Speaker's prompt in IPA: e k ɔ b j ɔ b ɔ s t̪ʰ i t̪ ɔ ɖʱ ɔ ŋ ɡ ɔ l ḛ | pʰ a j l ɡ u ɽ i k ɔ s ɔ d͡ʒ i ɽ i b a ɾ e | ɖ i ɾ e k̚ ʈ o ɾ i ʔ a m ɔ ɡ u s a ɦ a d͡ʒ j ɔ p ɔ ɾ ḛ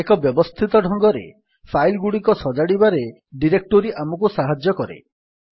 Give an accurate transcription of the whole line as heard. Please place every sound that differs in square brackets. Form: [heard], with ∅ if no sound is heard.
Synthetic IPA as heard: e k ɔ b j ɔ b ɔ s t̪ʰ i t̪ ɔ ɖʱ ɔ ŋ ɡ ɔ [ɾ] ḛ | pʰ a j l ɡ u ɽ i k ɔ s ɔ d͡ʒ [a] ɽ i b a ɾ e | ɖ i ɾ e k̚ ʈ o ɾ i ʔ a m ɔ [k] u s a ɦ a d͡ʒ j ɔ [k] ɔ ɾ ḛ